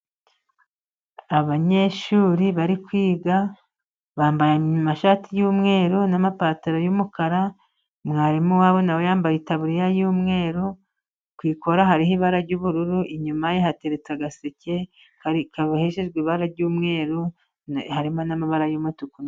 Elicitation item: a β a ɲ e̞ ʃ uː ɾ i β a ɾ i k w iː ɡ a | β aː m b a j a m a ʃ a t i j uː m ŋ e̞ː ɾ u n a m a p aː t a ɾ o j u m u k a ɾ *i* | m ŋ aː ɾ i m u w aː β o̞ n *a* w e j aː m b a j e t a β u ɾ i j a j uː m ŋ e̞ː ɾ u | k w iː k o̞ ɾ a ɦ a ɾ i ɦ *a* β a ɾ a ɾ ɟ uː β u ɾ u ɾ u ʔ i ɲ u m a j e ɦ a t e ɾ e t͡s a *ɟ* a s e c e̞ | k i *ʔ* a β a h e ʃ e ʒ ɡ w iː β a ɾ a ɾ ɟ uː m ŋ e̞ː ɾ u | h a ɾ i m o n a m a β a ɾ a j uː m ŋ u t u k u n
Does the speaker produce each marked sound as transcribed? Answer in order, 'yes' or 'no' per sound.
no, yes, no, no, no

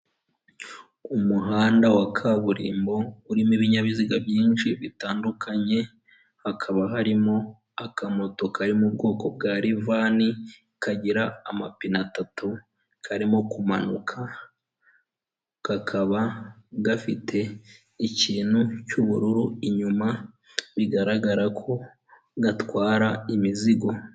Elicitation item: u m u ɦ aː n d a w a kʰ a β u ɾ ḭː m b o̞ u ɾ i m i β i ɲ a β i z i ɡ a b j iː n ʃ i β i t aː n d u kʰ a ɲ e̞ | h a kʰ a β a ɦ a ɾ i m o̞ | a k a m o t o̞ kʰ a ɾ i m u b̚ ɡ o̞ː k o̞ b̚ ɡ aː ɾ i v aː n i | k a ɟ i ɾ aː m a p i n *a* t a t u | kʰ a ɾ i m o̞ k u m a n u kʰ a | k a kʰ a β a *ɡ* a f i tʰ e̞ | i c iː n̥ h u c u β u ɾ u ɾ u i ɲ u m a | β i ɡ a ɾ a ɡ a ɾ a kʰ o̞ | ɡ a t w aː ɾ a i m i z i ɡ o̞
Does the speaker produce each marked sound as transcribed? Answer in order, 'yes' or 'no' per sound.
yes, yes

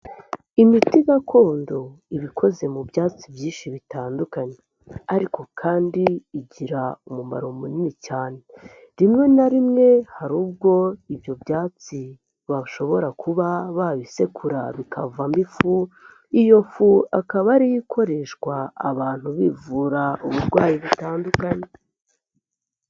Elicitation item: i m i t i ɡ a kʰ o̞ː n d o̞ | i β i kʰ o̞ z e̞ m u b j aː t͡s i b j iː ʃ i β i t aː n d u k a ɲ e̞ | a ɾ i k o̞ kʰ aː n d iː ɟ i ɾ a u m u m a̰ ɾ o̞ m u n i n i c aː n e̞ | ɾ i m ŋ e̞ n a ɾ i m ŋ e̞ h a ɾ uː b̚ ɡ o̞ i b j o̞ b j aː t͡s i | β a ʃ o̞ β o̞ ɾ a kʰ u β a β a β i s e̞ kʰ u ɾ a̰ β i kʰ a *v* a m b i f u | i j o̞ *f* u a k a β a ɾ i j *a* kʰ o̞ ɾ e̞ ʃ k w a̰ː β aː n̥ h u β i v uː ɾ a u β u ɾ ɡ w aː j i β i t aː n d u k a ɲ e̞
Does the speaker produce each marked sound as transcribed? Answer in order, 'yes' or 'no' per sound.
yes, yes, no

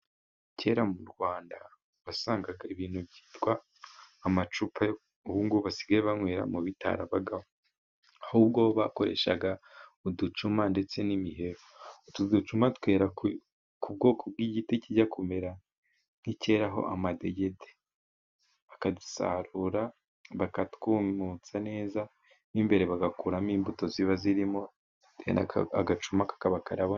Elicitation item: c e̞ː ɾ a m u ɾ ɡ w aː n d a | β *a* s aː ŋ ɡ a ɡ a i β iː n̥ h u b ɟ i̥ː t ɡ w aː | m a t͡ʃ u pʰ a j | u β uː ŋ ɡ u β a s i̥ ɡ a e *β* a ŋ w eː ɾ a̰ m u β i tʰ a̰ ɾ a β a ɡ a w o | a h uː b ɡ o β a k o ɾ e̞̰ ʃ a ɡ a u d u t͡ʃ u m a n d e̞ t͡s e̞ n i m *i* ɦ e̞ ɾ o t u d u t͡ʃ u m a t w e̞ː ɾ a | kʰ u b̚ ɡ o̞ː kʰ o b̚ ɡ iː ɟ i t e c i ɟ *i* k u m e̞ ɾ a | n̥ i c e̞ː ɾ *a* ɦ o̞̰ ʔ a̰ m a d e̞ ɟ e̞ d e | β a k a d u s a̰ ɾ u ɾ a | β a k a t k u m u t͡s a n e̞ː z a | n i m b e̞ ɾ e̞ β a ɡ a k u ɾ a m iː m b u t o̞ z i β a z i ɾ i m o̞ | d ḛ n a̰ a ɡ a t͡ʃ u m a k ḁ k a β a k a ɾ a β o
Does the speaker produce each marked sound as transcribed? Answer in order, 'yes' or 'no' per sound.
yes, yes, yes, no, yes

